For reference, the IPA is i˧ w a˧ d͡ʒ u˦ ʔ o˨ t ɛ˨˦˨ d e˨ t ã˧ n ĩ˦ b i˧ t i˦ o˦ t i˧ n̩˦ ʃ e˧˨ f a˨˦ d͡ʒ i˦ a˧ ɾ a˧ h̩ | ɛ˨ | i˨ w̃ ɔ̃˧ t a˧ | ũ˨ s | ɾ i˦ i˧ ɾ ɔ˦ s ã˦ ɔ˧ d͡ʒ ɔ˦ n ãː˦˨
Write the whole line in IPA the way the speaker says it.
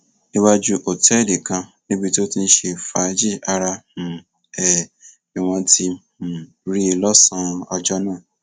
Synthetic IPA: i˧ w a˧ d͡ʒ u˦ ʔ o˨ t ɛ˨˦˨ d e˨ k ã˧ n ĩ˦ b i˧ t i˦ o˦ t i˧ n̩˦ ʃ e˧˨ f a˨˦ d͡ʒ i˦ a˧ ɾ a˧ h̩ | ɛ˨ | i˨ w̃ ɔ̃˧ t i˧ | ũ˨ | ɾ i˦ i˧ l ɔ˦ s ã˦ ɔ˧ d͡ʒ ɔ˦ n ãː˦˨